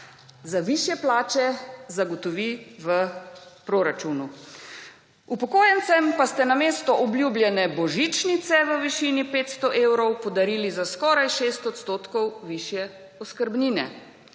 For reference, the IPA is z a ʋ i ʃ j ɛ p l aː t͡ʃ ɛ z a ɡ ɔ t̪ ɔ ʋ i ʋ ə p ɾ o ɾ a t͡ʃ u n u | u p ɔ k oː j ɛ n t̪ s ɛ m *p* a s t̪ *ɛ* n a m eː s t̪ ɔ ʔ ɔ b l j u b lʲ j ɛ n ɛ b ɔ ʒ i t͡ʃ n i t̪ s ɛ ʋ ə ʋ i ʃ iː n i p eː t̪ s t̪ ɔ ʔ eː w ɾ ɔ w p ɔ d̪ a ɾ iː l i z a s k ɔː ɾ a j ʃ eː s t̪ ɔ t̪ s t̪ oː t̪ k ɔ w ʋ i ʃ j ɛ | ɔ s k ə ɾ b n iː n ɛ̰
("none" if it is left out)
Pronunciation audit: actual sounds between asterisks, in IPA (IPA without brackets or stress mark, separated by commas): p, ɛ